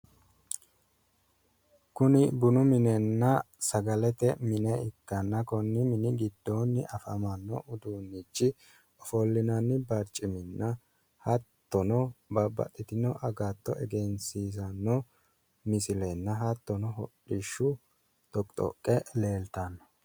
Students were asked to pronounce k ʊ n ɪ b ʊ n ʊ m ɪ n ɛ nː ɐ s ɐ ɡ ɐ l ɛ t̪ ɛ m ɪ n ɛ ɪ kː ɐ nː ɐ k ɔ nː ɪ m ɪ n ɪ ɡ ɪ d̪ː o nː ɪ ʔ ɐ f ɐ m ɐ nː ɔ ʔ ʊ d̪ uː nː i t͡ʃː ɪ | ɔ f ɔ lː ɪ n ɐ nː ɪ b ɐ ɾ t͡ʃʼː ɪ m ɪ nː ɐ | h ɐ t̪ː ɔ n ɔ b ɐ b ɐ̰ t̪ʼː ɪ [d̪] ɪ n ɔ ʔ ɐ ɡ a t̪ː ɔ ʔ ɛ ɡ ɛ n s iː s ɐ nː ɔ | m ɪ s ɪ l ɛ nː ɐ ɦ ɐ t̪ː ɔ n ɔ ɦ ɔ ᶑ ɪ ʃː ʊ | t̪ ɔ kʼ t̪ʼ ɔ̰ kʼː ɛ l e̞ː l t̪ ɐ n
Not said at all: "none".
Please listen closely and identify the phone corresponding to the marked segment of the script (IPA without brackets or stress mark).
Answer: t̪